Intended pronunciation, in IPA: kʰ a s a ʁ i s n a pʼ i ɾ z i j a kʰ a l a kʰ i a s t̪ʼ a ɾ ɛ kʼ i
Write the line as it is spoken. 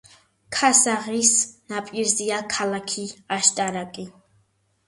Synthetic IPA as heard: kʰ a s a ʁ i s n a pʼ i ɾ z i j a kʰ a l a kʰ i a ʃ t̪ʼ a ɾ a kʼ i